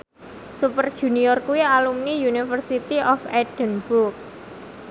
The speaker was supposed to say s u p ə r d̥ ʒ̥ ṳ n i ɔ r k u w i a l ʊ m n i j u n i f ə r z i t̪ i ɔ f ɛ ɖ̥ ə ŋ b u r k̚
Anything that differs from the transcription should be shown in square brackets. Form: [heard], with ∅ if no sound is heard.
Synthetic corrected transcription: s u p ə r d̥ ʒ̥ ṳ n i ɔ r k u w i a l [u] m n i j u n i f ə r [s] i t̪ i ɔ f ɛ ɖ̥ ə [n] b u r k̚